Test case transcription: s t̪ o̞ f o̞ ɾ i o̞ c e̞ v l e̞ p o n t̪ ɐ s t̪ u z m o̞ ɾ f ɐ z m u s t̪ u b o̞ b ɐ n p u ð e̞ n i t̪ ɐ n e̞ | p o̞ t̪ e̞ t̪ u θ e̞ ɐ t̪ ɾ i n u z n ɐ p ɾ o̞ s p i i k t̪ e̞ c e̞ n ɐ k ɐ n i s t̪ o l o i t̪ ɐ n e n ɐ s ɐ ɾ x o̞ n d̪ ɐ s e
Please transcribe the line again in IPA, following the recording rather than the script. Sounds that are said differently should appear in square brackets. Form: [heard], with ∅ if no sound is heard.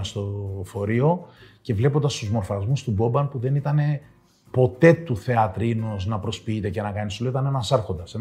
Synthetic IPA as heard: s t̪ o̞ f o̞ ɾ i o̞ c e̞ v l e̞ p o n [d̪] ɐ s t̪ u z m o̞ ɾ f ɐ z m u s t̪ u b o̞ b ɐ n p u ð e̞ n i t̪ ɐ n e̞ | p o̞ t̪ e̞ t̪ u θ e̞ ɐ t̪ ɾ i n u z n ɐ p ɾ o̞ s p i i [∅] t̪ e̞ c e̞ n ɐ k ɐ n i s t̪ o l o i t̪ ɐ n e n ɐ s ɐ ɾ x o̞ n d̪ ɐ s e